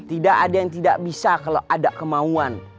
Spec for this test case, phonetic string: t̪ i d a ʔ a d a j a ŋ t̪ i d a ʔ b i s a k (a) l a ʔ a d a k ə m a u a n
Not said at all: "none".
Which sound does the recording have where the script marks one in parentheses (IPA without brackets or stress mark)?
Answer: a